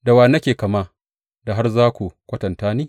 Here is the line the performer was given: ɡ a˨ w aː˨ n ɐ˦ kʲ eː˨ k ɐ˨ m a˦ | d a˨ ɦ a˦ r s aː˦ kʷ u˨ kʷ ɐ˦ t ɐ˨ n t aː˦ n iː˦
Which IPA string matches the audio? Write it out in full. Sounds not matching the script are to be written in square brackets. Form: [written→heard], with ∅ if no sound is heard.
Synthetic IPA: [ɡ→d] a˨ w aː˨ n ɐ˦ kʲ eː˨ k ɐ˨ m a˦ | d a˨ ɦ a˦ r [s→z] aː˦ kʷ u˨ kʷ ɐ˦ t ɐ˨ n t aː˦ n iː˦